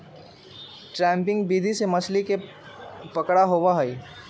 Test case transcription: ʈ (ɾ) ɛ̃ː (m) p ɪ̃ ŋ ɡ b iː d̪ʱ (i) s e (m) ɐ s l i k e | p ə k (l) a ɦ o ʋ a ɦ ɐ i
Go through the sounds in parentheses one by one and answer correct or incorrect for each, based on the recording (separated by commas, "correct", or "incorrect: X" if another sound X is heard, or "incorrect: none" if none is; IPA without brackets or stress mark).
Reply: correct, correct, correct, correct, incorrect: ɽ